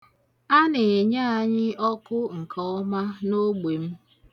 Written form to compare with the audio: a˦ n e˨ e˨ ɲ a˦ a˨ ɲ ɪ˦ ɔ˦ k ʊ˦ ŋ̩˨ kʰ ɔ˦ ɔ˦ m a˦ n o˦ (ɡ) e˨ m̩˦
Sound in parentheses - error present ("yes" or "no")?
yes